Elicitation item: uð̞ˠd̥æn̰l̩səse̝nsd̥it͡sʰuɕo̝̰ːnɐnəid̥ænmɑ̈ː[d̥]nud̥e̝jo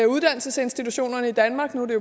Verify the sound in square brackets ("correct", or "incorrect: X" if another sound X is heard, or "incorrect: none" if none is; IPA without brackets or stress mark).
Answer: incorrect: ɡ̥